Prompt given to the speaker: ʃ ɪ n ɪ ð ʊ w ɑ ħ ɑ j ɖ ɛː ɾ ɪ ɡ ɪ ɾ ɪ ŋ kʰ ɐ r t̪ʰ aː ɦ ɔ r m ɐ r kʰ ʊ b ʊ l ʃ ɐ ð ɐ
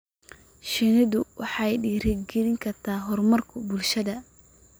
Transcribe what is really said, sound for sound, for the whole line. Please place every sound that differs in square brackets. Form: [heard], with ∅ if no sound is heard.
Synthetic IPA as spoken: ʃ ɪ n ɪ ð ʊ w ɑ ħ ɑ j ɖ [iː] ɾ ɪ ɡ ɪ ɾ ɪ ŋ kʰ ɐ r t̪ʰ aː ɦ ɔ r m ɐ r kʰ ʊ b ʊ l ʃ ɐ ð ɐ